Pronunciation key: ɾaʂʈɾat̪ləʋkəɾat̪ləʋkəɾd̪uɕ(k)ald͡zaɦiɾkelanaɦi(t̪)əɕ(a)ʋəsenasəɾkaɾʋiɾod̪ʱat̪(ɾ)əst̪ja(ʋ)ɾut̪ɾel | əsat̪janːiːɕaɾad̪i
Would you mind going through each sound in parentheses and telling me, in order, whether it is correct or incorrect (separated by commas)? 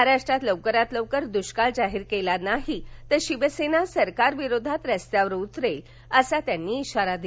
correct, correct, incorrect, correct, correct